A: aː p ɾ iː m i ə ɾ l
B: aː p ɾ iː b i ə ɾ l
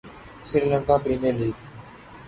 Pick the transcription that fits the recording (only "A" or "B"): A